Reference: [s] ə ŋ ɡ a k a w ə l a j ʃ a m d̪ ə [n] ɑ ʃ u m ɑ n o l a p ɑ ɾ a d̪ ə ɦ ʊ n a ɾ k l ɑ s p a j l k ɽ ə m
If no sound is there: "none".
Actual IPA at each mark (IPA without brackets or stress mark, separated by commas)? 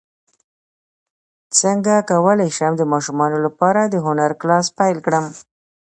t͡s, m